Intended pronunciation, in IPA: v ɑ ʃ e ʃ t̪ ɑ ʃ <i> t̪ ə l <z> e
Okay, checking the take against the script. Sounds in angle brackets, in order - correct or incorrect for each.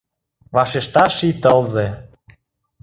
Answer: correct, correct

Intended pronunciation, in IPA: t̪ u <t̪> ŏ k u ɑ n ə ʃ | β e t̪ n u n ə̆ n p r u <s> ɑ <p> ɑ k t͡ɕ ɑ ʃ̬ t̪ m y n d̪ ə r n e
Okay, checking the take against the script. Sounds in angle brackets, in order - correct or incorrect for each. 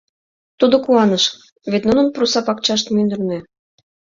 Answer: incorrect: d̪, correct, correct

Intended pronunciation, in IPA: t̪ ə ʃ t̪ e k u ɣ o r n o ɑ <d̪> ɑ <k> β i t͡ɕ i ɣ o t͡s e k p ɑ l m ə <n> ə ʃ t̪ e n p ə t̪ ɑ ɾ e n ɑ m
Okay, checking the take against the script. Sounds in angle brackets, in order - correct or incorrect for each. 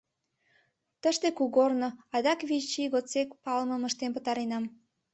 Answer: correct, correct, incorrect: m

